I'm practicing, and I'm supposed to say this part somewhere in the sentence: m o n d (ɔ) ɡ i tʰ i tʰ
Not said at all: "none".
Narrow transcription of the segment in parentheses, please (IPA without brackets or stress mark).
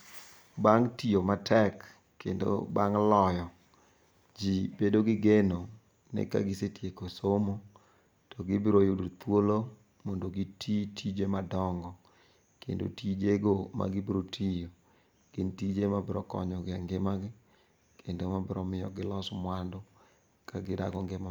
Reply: o